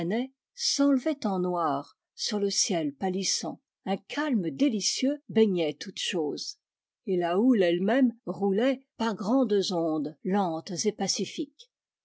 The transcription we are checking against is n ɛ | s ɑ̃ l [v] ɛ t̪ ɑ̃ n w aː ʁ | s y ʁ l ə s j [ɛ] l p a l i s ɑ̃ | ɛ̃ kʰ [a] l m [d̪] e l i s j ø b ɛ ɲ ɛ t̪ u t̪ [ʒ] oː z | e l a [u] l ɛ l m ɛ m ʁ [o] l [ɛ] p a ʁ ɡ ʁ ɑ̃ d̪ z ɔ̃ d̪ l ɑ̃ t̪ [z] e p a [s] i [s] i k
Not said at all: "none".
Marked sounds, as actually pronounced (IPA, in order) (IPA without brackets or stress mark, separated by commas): v, ɛ, a, d̪, ʃ, u, u, ɛ, z, s, f